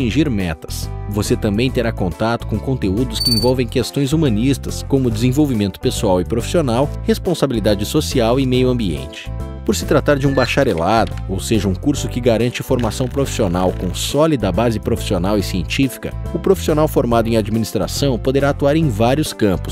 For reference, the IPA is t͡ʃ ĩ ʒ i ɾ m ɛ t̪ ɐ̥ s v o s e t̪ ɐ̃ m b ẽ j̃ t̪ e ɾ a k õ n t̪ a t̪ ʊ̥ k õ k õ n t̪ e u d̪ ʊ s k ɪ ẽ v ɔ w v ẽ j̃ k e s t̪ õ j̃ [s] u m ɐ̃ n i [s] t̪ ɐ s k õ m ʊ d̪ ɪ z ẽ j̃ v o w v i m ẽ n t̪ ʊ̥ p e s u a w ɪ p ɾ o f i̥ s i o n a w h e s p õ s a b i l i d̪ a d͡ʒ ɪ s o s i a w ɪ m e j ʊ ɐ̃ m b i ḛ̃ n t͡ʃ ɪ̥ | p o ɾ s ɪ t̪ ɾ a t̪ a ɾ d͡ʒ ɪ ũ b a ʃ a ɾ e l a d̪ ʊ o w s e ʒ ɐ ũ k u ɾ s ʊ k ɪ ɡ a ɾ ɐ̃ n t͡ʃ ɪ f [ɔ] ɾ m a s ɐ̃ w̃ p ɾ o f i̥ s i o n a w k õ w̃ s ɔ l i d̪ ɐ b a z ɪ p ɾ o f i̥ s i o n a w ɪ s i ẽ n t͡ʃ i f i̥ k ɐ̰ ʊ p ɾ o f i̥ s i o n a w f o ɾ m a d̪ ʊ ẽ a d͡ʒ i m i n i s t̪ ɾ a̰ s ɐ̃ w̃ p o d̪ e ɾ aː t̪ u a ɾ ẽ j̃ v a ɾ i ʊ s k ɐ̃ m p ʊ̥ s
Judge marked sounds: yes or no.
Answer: no, yes, no

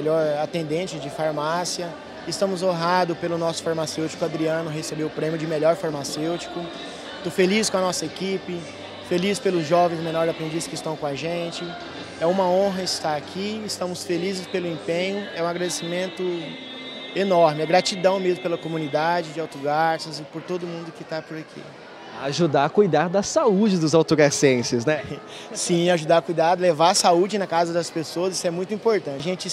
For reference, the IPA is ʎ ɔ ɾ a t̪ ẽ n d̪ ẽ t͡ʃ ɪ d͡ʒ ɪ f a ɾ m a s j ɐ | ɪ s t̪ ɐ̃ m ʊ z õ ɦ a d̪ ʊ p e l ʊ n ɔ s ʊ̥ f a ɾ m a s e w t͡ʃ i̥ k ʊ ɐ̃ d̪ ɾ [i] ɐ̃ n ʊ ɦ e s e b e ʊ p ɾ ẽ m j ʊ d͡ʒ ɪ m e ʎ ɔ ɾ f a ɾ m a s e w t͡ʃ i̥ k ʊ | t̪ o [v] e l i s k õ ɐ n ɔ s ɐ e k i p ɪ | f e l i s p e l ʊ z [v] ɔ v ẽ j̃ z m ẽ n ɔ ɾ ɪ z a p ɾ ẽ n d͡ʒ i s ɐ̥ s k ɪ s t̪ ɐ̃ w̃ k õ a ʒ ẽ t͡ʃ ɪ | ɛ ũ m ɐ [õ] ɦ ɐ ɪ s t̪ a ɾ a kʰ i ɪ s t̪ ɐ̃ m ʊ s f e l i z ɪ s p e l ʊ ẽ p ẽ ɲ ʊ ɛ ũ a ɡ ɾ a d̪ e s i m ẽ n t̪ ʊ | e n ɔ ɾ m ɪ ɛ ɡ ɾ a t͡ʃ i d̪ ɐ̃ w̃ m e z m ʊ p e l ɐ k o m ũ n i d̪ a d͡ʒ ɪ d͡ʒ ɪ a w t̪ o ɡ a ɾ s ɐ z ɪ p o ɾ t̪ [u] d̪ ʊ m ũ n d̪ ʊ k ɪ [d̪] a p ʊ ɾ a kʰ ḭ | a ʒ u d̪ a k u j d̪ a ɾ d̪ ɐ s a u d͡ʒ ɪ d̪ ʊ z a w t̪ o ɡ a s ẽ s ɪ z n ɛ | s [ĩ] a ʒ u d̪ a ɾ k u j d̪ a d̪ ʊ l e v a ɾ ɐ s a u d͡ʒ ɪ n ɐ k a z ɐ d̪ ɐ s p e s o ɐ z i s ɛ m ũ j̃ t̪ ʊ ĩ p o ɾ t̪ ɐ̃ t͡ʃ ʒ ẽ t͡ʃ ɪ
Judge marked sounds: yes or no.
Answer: yes, no, no, yes, no, no, yes

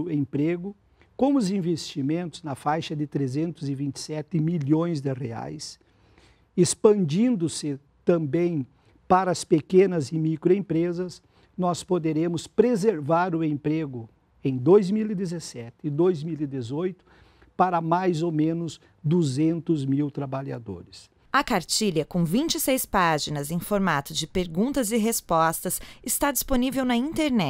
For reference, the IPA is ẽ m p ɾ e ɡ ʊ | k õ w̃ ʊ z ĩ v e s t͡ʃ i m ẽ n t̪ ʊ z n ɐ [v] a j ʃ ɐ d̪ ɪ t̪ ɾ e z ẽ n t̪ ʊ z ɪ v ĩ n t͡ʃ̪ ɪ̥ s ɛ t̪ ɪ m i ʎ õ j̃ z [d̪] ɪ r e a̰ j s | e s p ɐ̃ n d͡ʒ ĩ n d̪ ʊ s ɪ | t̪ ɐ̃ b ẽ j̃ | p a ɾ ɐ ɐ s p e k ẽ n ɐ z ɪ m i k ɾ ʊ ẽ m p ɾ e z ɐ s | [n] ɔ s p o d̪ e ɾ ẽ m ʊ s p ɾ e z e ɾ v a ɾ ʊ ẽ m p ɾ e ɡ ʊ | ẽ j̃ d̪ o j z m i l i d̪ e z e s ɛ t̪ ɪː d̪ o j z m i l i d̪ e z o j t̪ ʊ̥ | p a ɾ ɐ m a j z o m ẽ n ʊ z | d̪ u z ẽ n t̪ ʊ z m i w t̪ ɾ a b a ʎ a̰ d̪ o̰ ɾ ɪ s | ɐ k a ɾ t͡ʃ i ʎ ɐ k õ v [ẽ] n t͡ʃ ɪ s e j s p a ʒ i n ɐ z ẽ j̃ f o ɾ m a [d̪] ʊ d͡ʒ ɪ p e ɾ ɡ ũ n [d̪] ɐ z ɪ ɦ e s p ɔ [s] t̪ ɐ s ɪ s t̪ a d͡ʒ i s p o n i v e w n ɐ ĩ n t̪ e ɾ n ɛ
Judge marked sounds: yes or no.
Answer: no, yes, yes, no, no, no, yes

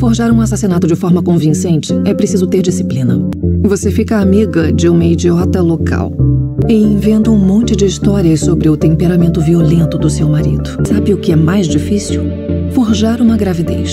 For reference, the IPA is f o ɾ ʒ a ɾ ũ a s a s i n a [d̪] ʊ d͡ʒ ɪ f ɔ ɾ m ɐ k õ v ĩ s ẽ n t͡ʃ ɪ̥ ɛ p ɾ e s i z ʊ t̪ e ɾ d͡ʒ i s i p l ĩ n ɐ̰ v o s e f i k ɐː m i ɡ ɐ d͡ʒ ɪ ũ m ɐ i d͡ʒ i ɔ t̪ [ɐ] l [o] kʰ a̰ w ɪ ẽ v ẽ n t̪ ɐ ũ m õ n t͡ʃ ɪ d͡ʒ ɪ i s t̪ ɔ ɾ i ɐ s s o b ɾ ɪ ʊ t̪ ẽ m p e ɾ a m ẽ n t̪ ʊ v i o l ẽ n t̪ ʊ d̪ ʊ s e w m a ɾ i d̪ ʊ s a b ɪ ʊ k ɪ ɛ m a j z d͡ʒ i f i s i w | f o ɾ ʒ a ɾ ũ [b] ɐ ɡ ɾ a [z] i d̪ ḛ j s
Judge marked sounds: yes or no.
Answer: no, yes, yes, no, no

